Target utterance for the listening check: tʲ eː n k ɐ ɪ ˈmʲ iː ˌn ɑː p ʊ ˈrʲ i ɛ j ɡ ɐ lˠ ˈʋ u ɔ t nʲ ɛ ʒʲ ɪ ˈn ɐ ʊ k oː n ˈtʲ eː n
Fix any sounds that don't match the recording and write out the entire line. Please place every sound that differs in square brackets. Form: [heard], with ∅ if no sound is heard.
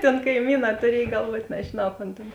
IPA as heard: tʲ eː n k ɐ ɪ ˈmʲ iː ˌn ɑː [t] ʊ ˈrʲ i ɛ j ɡ ɐ lˠ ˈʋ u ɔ t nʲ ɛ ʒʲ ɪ ˈn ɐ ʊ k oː n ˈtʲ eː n